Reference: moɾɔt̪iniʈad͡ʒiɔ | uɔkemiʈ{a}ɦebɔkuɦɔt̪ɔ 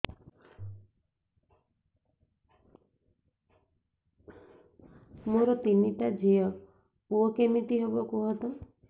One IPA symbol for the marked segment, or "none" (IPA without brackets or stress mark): i